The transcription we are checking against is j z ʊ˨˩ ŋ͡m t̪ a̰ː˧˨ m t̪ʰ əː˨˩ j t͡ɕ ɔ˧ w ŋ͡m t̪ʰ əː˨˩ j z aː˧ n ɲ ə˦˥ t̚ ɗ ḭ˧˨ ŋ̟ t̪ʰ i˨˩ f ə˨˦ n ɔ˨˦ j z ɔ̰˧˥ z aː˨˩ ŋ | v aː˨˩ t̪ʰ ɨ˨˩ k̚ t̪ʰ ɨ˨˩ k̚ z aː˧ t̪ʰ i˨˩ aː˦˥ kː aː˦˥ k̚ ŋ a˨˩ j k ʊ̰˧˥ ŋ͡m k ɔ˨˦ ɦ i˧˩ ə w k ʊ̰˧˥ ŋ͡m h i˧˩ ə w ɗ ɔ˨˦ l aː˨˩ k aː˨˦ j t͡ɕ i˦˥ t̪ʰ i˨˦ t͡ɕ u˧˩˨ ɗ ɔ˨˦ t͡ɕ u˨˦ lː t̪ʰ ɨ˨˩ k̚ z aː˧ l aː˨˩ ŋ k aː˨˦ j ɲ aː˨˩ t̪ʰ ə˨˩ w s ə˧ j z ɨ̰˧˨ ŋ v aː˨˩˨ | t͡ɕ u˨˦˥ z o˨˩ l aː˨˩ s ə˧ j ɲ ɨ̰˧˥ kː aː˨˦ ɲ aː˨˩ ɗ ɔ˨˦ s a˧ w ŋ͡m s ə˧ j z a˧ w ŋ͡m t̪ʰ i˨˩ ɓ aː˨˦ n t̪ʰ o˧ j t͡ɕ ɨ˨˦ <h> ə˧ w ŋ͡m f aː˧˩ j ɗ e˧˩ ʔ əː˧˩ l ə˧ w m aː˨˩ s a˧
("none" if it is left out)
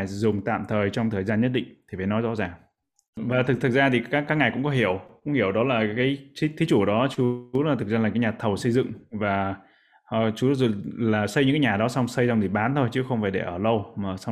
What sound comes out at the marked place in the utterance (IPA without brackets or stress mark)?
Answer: x